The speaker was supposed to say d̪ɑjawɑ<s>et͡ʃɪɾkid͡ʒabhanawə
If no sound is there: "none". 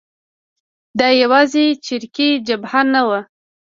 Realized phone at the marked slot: z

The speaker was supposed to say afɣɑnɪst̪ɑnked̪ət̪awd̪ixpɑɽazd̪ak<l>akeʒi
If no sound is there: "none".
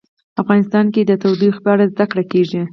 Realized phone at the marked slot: ɽ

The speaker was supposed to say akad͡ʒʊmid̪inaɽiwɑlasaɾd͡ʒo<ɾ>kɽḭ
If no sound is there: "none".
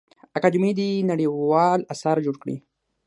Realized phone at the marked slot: ɽ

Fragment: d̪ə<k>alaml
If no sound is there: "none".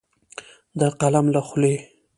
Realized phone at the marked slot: q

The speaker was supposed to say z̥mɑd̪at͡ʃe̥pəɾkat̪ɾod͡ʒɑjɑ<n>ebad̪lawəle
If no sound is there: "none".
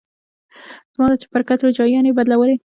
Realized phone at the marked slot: n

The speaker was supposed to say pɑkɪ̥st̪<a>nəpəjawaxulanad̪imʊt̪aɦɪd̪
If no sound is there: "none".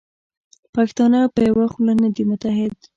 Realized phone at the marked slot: ɑ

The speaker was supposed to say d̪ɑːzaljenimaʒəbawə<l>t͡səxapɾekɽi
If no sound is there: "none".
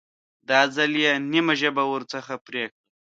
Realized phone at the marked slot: ɾ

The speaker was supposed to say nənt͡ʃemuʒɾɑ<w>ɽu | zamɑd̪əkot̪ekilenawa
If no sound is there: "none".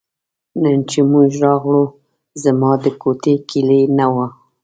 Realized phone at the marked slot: ɣ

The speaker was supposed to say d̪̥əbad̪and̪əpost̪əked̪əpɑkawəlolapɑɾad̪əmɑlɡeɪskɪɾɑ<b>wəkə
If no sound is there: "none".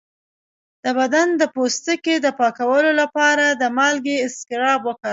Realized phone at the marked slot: b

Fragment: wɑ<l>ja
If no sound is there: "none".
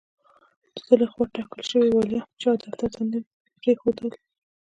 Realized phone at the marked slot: l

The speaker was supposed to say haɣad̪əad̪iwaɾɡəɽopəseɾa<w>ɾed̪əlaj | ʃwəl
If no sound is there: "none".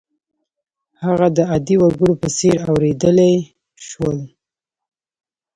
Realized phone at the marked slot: w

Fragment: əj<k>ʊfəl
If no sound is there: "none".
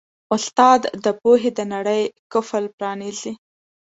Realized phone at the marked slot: k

